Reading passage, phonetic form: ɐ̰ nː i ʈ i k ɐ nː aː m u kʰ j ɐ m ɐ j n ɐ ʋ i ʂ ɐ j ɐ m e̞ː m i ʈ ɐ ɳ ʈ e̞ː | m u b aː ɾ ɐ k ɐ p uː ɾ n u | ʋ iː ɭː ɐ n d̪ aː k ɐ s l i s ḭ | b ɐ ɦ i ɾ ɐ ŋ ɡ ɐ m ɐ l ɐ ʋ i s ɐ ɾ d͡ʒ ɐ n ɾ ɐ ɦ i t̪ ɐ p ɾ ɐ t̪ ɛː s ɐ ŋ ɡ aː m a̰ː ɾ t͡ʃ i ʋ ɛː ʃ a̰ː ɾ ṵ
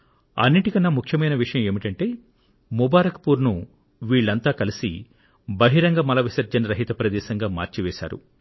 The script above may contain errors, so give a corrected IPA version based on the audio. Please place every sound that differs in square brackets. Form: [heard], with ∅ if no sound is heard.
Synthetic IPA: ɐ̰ nː i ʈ i k ɐ nː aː m u kʰ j ɐ m ɐ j n ɐ ʋ i ʂ ɐ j ɐ m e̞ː m i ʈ ɐ ɳ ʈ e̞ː | m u b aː ɾ ɐ k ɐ p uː ɾ n u | ʋ iː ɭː ɐ n [t̪] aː k ɐ [∅] l i s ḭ | b ɐ ɦ i ɾ ɐ ŋ ɡ ɐ m ɐ l ɐ ʋ i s ɐ ɾ d͡ʒ ɐ n ɾ ɐ ɦ i t̪ ɐ p ɾ ɐ [d̪] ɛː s ɐ ŋ ɡ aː m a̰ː ɾ t͡ʃ i ʋ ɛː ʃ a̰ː ɾ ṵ